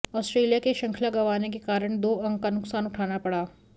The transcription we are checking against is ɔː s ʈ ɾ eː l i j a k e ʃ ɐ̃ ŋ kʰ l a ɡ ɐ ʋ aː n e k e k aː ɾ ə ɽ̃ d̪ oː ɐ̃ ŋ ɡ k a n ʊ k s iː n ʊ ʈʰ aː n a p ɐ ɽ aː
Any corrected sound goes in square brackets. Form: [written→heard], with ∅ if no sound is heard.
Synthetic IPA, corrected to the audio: ɔː s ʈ ɾ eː l i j a k e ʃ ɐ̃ ŋ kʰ l a ɡ ɐ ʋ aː n e k e k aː ɾ ə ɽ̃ d̪ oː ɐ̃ ŋ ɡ k a n ʊ k s [iː→aː] n ʊ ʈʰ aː n a p ɐ ɽ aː